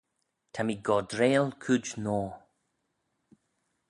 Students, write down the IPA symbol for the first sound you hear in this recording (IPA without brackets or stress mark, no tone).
tʰ